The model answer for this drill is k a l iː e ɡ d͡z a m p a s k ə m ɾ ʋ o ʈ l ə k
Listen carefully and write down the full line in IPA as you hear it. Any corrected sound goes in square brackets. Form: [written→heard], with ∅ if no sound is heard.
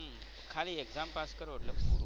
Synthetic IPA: [k→kʰ] a l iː e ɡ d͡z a m p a s k ə [m→∅] ɾ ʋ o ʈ l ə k